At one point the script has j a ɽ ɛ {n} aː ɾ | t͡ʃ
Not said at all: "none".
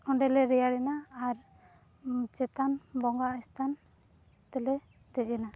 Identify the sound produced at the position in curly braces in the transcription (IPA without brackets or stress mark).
n